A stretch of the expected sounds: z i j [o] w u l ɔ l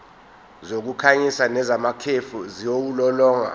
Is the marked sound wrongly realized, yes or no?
no